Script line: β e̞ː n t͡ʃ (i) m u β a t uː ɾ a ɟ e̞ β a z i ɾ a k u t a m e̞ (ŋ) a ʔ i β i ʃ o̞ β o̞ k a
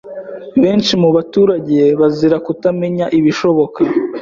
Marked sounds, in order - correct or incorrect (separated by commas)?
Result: correct, incorrect